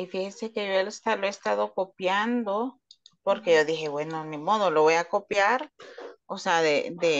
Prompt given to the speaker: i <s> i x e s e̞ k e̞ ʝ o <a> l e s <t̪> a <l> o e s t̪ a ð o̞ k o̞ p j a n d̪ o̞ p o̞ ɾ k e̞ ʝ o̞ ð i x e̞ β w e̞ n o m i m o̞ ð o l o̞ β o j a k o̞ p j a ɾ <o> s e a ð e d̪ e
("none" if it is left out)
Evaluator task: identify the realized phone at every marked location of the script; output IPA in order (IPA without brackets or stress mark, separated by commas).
f, e, t̪, l, o